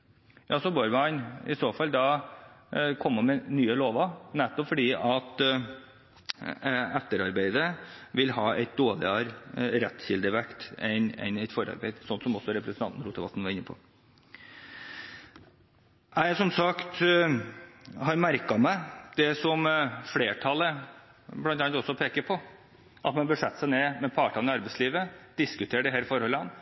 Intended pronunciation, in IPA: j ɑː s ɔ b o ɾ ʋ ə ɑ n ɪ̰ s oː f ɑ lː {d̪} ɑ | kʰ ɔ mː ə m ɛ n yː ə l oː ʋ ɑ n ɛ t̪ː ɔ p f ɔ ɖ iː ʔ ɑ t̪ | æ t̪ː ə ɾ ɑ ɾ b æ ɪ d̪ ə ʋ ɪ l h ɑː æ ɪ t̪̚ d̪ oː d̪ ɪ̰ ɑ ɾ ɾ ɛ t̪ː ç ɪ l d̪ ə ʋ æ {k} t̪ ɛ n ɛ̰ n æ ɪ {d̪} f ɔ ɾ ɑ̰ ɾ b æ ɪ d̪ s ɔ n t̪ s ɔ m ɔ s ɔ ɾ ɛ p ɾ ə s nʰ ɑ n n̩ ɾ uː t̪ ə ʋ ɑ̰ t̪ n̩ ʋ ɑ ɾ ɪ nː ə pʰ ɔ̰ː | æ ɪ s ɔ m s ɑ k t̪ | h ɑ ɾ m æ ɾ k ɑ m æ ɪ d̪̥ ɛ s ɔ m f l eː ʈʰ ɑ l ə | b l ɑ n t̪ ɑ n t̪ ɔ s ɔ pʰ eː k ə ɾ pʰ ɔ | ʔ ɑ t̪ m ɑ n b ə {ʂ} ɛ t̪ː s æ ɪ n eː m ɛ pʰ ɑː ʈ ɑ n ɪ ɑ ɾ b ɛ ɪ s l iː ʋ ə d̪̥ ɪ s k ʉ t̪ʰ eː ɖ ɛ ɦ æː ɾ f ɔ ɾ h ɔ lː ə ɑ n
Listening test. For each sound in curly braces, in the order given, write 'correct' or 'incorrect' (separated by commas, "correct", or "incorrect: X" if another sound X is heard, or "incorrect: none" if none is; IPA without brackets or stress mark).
correct, correct, incorrect: t̪, correct